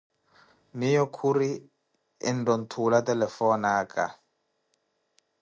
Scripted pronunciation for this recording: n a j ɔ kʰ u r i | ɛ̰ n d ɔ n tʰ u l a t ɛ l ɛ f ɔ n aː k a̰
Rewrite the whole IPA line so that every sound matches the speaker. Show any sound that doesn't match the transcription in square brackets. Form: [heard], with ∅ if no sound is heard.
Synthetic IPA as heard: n [i] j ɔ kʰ u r i | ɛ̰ n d ɔ n tʰ u l a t ɛ l ɛ f ɔ n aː k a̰